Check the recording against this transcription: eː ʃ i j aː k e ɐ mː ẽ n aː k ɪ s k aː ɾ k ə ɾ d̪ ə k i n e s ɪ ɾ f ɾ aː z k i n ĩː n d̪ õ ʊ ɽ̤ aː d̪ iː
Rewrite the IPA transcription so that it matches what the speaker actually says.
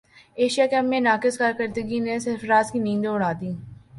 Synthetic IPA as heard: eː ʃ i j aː k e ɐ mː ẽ n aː k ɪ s k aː ɾ k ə ɾ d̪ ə ɡ i n e s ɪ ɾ f ɾ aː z k i n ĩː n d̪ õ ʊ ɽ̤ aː d̪ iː